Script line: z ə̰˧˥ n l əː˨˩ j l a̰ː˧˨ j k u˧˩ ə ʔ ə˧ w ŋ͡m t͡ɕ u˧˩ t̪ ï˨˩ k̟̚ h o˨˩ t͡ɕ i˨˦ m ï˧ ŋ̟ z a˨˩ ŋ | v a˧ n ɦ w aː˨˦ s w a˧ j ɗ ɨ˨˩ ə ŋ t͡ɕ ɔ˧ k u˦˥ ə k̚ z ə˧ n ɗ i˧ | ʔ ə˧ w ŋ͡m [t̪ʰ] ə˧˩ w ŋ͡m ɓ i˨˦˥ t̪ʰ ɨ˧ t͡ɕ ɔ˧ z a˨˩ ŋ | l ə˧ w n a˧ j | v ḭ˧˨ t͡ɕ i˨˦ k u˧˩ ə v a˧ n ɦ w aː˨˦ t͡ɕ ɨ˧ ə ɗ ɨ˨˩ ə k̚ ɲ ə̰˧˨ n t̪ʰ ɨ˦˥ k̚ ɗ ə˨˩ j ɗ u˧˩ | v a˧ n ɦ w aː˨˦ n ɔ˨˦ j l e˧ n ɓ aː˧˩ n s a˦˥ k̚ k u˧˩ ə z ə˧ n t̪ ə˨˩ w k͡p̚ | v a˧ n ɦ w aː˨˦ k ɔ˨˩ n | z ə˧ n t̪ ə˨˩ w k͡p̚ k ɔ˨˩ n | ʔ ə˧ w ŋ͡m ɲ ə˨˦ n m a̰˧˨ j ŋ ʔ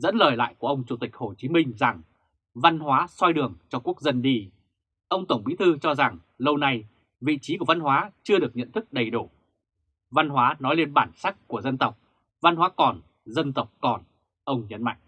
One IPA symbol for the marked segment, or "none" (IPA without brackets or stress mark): t̪